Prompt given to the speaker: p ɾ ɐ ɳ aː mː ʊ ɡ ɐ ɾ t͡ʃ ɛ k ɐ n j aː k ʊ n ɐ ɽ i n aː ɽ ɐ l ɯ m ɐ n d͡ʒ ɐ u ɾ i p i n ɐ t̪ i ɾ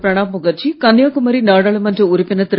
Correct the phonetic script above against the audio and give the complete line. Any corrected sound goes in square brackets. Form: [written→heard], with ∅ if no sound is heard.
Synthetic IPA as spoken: p ɾ ɐ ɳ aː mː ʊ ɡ ɐ ɾ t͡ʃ [ɛ→i] k ɐ n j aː k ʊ [n→m] ɐ [ɽ→ɾ] i n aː ɽ ɐ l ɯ m ɐ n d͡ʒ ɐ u ɾ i p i n ɐ t̪ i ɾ